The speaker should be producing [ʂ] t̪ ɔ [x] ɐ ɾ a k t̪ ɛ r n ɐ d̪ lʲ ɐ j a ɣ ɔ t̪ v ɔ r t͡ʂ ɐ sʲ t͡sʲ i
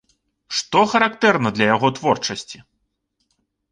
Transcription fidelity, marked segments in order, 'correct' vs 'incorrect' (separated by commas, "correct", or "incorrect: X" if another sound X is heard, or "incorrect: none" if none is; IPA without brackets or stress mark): correct, correct